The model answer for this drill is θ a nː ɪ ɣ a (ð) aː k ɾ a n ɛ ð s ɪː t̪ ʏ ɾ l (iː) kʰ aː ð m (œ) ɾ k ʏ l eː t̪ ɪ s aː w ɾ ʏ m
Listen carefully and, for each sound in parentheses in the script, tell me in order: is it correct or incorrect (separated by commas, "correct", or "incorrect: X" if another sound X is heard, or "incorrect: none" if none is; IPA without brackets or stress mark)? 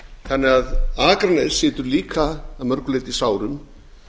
correct, correct, correct